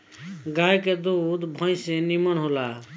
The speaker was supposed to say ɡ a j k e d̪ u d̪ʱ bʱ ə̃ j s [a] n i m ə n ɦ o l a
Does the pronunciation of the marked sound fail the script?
yes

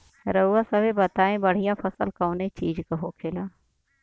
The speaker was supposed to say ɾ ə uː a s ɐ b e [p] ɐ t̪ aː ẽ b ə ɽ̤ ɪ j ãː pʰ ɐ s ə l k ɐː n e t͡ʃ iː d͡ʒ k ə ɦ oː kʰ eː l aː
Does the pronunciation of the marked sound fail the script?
yes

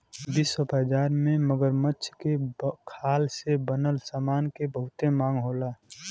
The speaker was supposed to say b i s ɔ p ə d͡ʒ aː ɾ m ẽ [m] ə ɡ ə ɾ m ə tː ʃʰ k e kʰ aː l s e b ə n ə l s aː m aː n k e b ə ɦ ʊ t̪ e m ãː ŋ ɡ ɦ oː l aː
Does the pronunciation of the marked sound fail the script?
no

